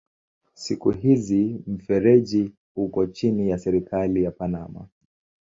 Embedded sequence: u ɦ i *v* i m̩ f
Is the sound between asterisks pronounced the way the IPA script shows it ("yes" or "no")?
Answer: no